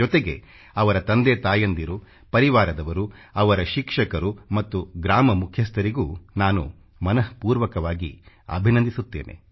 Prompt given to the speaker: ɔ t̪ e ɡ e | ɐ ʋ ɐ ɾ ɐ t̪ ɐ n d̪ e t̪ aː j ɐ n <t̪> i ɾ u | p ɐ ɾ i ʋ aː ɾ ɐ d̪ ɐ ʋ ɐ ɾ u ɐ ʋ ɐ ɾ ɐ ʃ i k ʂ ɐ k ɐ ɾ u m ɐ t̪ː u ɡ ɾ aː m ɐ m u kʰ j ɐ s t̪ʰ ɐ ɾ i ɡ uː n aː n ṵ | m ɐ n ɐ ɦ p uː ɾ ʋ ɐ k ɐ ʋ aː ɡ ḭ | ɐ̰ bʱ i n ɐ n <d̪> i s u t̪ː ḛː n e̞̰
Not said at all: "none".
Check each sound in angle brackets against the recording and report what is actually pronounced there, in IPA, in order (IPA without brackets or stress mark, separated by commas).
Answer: d̪, d̪